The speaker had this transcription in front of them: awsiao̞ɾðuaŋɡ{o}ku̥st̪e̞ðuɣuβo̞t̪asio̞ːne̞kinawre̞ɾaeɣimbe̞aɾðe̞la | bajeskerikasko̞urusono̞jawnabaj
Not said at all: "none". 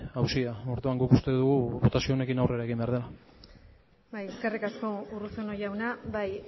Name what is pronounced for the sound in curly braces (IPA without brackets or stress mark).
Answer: u